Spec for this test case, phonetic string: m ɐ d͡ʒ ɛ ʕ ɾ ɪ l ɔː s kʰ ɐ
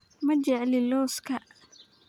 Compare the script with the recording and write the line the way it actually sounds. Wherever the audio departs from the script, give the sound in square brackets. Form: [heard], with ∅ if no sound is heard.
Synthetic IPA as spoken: m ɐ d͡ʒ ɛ ʕ [l] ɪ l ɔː s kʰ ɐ